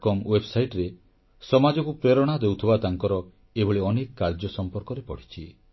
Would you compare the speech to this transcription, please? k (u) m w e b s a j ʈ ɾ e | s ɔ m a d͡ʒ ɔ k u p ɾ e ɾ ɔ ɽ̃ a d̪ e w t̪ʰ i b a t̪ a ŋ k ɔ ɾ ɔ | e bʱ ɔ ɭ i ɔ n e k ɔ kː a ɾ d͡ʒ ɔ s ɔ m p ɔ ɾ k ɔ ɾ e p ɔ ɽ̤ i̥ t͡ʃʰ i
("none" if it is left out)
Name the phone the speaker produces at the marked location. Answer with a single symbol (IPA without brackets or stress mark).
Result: ɔ